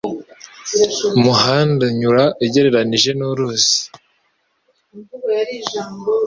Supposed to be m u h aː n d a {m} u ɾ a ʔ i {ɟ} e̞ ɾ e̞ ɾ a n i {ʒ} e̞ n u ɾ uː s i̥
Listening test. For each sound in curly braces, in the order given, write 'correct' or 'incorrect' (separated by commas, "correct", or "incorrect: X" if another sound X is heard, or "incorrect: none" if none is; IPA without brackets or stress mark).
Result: incorrect: ɲ, correct, correct